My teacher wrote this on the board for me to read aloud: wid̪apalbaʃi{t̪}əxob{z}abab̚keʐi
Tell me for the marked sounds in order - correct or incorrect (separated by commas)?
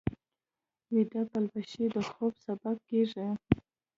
incorrect, incorrect